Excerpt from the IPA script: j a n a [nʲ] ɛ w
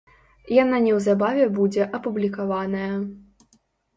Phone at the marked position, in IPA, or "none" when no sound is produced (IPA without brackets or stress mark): nʲ